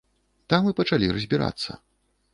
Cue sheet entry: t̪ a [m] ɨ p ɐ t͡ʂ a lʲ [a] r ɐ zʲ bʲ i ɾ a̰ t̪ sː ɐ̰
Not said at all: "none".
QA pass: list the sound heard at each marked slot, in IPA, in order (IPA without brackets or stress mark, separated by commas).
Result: m, i